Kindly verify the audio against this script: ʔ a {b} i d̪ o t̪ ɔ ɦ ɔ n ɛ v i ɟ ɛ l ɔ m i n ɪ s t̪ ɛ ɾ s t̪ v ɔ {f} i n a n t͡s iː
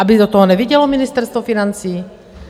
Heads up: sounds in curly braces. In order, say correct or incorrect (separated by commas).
correct, correct